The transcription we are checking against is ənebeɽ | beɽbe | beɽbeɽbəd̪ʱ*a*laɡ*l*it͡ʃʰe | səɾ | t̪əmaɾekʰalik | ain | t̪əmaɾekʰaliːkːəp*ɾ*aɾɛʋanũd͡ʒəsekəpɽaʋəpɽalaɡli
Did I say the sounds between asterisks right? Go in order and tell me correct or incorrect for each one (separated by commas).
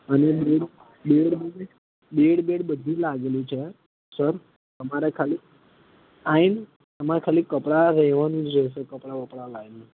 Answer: incorrect, correct, incorrect